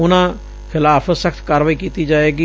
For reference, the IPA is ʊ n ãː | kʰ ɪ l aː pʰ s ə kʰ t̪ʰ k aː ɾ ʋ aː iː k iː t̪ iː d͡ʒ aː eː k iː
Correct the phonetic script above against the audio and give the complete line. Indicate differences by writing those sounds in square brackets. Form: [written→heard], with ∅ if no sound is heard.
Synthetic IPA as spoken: ʊ n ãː | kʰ ɪ l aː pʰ s ə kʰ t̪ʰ k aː ɾ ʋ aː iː k iː t̪ iː d͡ʒ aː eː [k→ɡ] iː